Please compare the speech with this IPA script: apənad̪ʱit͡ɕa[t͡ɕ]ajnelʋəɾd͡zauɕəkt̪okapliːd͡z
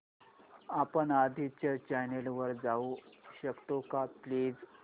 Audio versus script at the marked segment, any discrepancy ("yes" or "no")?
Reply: no